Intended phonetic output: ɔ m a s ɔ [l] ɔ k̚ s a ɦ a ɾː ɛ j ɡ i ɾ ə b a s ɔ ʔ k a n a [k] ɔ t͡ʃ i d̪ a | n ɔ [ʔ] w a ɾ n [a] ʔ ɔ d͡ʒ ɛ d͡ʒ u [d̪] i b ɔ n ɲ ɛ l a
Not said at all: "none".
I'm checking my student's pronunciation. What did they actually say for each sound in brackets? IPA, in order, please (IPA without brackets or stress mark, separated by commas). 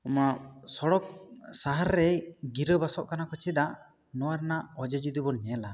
ɽ, k, none, a, d̪